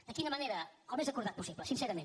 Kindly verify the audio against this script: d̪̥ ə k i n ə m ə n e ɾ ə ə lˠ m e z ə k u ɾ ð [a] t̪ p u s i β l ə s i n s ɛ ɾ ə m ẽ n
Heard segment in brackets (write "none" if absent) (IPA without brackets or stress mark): a